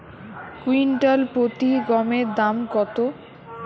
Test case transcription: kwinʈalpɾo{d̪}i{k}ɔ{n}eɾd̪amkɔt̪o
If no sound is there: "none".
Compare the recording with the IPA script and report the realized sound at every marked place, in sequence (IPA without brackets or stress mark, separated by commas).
t̪, ɡ, m